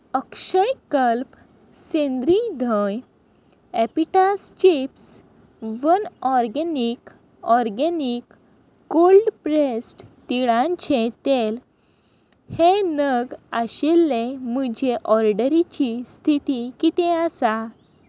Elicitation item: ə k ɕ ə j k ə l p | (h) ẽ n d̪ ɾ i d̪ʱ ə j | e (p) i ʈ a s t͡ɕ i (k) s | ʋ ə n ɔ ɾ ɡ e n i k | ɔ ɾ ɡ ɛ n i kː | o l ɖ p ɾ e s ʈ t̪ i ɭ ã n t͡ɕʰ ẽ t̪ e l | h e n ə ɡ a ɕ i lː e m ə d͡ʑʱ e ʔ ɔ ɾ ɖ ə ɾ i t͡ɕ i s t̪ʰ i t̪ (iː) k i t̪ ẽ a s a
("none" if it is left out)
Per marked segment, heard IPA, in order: s, p, p, i

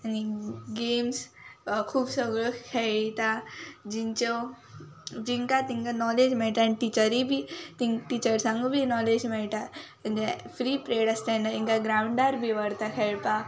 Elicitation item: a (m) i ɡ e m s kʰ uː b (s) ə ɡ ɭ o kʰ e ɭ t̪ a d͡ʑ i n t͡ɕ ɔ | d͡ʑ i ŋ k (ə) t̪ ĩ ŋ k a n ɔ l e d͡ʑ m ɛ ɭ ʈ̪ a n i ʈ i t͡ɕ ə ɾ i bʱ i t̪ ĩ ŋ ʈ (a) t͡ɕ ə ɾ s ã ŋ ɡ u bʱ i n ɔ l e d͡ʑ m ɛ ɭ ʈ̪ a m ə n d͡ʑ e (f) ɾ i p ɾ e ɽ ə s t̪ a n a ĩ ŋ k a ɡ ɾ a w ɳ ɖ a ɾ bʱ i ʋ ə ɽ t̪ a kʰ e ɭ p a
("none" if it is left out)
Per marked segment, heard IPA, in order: n, s, a, i, f

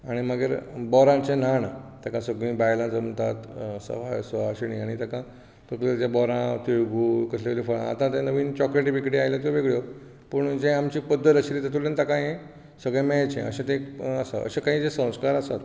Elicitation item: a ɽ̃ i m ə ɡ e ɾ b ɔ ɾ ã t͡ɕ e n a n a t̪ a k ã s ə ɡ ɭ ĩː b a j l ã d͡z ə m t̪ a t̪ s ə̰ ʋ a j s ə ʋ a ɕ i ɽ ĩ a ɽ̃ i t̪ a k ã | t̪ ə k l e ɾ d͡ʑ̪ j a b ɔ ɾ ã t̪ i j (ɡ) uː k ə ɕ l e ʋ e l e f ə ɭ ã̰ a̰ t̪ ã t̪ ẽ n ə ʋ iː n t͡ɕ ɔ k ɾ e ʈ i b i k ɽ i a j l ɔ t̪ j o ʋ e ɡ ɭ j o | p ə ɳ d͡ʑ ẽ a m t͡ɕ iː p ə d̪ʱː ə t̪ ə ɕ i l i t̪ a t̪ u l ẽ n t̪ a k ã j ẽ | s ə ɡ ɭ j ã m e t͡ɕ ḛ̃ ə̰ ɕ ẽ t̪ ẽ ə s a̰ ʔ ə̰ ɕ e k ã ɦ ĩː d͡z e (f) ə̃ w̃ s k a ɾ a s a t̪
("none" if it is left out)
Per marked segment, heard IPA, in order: ɡ, s

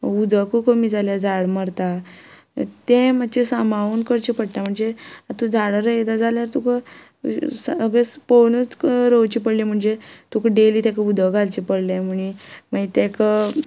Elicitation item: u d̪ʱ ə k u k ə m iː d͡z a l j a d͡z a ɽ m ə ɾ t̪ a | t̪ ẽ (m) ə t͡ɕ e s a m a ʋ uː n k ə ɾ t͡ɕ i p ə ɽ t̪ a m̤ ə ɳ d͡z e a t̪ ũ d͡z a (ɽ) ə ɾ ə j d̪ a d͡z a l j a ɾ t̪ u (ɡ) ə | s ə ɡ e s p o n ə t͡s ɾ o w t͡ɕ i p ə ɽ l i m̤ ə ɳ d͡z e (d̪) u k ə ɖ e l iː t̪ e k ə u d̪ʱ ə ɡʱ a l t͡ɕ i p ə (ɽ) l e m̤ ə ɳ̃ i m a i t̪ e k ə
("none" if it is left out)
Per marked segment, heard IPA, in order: m, ɽ, k, t̪, ɽ

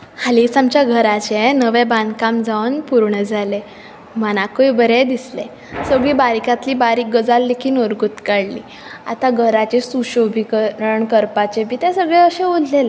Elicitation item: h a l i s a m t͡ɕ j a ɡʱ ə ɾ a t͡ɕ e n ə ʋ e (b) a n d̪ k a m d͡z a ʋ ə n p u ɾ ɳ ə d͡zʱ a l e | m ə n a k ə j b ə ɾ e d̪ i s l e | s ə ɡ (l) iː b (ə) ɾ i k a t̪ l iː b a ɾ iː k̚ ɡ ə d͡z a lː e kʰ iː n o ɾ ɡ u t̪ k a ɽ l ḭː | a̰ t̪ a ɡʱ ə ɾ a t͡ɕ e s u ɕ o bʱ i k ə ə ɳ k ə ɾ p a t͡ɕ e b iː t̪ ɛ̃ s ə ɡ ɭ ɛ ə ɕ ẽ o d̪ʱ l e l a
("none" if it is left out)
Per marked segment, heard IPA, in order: b, ɭ, a

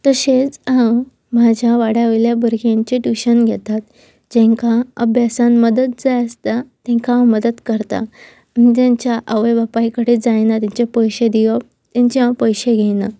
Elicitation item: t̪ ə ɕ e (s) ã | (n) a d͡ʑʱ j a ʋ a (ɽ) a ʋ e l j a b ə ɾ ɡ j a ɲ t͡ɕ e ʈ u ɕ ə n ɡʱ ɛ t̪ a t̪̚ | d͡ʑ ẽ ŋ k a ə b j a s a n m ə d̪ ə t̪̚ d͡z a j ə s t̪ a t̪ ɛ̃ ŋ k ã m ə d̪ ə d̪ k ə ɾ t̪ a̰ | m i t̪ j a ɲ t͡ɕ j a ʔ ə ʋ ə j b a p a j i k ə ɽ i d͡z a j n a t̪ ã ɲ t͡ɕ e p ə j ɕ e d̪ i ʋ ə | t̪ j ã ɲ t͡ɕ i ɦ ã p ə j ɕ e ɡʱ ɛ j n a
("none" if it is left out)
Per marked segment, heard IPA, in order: t͡s, m, ɽ

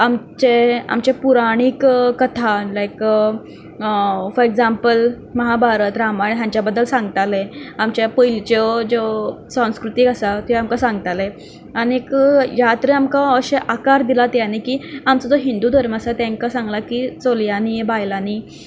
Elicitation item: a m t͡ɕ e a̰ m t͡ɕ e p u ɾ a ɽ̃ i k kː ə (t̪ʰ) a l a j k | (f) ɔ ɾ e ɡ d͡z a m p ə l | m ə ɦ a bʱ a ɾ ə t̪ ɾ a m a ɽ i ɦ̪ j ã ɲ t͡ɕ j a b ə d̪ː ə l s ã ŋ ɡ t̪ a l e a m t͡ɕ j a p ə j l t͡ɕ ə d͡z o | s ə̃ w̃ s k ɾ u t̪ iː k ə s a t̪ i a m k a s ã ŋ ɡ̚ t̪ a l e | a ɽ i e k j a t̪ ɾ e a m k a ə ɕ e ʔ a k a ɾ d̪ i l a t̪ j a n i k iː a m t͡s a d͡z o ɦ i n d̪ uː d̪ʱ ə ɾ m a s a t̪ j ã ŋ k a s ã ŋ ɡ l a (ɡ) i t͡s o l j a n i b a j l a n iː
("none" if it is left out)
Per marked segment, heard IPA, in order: t̪ʰ, f, k

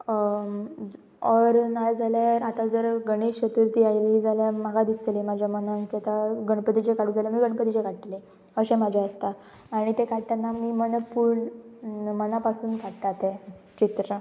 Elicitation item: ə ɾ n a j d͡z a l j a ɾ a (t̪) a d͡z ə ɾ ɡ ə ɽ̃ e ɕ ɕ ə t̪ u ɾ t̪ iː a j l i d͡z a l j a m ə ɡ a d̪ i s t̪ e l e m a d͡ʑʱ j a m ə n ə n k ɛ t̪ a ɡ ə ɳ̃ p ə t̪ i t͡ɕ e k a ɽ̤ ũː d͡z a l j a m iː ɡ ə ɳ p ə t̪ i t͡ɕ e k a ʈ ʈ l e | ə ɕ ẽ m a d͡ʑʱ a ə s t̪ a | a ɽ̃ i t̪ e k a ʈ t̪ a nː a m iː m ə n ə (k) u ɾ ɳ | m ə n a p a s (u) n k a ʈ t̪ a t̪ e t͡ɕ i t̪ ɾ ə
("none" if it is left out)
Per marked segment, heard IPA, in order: t̪, p, uː

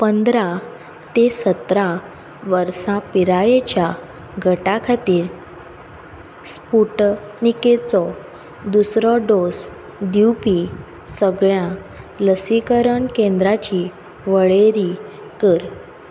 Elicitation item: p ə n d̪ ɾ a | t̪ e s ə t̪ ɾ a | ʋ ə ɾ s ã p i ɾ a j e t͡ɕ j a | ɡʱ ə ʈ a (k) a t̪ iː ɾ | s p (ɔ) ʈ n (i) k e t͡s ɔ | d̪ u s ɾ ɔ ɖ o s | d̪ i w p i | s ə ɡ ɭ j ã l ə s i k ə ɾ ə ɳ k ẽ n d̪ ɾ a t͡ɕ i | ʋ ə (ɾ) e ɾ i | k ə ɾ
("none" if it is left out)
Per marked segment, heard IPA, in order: kʰ, u, i, ɭ

